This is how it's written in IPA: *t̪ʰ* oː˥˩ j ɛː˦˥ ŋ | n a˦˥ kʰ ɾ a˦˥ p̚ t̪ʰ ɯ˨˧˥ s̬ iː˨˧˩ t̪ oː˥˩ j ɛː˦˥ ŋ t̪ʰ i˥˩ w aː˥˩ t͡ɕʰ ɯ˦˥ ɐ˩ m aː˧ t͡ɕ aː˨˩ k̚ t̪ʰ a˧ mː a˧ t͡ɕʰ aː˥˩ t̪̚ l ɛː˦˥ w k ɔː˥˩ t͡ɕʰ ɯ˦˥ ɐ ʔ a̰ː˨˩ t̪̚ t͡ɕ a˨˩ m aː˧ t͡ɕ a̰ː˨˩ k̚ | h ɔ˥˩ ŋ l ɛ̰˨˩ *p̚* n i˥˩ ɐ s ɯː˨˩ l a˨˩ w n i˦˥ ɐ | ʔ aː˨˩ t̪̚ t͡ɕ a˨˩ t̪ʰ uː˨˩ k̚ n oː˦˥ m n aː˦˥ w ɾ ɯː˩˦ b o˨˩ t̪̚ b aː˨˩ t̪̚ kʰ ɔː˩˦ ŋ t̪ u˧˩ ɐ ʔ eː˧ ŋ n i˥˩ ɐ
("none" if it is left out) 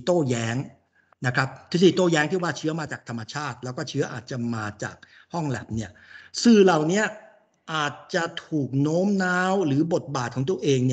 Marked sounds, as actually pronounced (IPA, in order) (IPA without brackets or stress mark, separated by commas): t̪, p̚